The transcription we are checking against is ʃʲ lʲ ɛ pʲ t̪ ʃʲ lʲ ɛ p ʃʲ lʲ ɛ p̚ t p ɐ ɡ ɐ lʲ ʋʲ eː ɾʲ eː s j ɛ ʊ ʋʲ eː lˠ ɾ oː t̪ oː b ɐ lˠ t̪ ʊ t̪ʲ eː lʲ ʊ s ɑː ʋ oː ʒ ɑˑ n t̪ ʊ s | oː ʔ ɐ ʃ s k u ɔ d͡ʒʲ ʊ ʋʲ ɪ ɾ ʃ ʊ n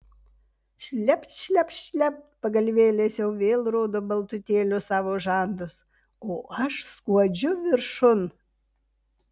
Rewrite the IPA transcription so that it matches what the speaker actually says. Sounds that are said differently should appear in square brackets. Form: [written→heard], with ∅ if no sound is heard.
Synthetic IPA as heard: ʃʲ lʲ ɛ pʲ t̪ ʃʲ lʲ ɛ p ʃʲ lʲ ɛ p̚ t p ɐ ɡ ɐ lʲ ʋʲ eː [ɾʲ→lʲ] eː s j ɛ ʊ ʋʲ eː lˠ ɾ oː [t̪→d̪] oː b ɐ lˠ t̪ ʊ t̪ʲ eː lʲ ʊ s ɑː ʋ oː ʒ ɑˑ n [t̪→d̪] ʊ s | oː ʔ ɐ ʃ s k u ɔ d͡ʒʲ ʊ ʋʲ ɪ ɾ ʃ ʊ n

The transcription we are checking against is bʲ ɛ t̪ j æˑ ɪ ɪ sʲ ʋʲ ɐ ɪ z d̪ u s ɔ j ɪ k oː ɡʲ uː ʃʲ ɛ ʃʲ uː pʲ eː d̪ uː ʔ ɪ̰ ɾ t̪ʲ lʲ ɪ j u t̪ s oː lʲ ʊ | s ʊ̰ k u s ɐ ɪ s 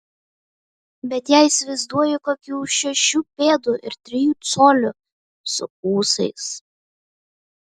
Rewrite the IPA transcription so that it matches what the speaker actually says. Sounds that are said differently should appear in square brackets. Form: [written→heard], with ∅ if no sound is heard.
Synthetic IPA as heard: bʲ ɛ t̪ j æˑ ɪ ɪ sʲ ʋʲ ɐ ɪ z d̪ u [s→∅] ɔ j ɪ k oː [ɡʲ→kʲ] uː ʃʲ ɛ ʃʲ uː pʲ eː d̪ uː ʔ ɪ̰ ɾ t̪ʲ [lʲ→ɾʲ] ɪ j [u→uː] t̪ s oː lʲ ʊ | s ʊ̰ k [u→uː] s ɐ ɪ s

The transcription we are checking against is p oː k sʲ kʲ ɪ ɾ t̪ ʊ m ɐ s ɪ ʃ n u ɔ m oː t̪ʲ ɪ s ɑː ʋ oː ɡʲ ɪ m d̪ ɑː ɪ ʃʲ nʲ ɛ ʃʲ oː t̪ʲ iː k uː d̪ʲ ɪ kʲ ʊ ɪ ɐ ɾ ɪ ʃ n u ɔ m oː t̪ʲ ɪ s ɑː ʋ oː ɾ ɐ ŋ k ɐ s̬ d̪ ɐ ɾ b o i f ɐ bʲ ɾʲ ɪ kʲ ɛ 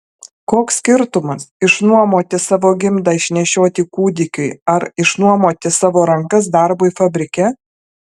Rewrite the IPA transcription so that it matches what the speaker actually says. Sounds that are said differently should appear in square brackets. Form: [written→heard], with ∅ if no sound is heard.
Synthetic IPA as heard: [p→k] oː k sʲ kʲ ɪ ɾ t̪ ʊ m ɐ s ɪ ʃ n u ɔ m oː t̪ʲ ɪ s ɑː ʋ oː ɡʲ ɪ m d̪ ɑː ɪ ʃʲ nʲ ɛ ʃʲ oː t̪ʲ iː k uː d̪ʲ ɪ kʲ ʊ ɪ ɐ ɾ ɪ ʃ n u ɔ m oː t̪ʲ ɪ s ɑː ʋ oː ɾ ɐ ŋ k ɐ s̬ d̪ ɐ ɾ b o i f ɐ bʲ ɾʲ ɪ kʲ ɛ

